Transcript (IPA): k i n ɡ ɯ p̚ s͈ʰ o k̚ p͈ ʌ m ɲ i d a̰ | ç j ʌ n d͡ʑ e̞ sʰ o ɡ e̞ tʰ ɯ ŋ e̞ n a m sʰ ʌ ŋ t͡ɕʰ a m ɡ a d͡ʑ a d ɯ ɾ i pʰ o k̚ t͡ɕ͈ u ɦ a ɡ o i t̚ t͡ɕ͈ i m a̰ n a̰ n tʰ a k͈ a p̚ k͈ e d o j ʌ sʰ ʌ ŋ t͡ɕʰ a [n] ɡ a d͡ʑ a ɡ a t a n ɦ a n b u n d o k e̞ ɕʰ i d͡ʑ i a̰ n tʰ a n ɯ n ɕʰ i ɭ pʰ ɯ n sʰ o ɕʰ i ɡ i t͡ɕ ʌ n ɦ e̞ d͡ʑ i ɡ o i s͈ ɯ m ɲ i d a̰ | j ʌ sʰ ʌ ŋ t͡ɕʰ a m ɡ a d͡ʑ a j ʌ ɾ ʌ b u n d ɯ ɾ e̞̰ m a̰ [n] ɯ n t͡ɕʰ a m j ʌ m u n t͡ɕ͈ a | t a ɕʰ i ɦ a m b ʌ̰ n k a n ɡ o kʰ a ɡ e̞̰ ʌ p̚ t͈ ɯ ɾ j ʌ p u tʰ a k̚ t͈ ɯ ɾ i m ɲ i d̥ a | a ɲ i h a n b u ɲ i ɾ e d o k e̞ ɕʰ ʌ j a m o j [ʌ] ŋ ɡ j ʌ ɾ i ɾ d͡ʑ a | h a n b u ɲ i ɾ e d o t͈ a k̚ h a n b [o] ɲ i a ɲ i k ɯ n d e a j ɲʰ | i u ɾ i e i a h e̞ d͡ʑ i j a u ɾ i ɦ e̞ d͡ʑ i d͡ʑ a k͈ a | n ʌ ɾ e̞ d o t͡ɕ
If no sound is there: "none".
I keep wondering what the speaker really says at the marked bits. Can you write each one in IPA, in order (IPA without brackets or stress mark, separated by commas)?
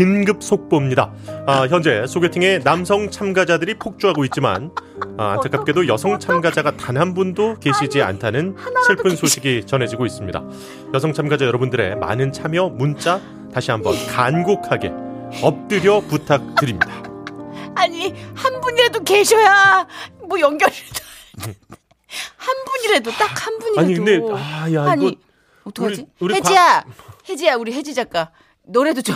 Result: m, n, ʌ, u